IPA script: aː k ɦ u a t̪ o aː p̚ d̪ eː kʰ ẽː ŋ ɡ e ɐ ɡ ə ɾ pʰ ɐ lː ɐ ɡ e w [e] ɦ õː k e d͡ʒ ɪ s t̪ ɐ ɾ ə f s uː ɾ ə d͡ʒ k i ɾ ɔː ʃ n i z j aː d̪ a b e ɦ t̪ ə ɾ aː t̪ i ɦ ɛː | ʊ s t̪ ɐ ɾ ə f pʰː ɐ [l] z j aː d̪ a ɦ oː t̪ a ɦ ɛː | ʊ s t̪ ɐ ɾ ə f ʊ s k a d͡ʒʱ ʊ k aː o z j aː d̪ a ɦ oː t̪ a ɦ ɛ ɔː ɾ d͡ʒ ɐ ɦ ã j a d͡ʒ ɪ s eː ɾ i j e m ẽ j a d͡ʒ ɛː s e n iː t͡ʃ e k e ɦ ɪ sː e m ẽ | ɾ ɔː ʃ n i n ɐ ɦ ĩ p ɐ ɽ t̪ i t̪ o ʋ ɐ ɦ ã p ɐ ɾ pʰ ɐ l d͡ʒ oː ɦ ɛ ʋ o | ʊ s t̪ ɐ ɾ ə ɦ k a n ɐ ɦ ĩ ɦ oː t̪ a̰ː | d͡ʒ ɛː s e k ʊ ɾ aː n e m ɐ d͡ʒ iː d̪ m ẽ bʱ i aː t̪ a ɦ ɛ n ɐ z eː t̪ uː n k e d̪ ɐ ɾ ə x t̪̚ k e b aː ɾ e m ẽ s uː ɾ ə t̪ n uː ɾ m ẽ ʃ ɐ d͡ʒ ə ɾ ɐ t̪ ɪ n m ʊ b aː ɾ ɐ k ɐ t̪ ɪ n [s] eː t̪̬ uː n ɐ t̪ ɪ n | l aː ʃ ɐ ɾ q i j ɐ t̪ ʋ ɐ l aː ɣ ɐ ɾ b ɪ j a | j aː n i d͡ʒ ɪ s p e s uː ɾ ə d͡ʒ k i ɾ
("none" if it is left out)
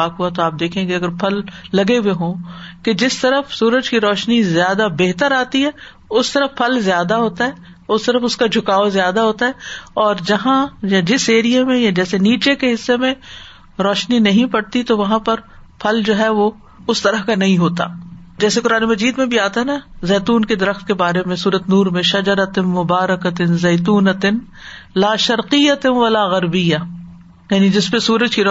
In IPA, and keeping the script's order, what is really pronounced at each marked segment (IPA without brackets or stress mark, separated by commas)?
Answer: e, l, z